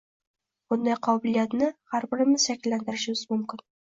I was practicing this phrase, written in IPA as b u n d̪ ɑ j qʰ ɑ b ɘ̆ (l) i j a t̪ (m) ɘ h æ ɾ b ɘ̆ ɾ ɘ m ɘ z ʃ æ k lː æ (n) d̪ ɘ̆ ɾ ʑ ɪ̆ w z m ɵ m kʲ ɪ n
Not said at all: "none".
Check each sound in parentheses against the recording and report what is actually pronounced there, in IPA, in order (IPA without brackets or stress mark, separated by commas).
l, n, n